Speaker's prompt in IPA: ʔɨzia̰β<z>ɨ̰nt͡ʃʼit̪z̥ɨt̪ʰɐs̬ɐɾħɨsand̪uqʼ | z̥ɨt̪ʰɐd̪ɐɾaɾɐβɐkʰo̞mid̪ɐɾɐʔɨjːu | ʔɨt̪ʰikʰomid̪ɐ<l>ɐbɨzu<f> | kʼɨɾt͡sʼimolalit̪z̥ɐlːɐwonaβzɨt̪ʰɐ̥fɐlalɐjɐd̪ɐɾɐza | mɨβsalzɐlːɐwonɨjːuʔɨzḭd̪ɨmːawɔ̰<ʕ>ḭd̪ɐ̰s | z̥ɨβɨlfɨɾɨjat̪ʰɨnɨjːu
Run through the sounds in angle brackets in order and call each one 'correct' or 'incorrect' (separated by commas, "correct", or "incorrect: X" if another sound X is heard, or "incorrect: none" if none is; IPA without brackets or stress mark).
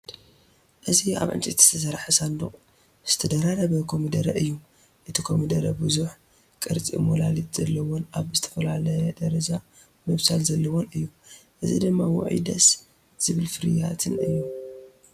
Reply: incorrect: ʕ, incorrect: ɾ, incorrect: ħ, correct